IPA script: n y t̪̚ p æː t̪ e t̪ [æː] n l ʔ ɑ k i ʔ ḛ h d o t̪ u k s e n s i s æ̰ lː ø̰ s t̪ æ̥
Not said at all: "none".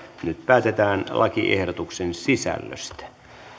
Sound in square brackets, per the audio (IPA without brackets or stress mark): æː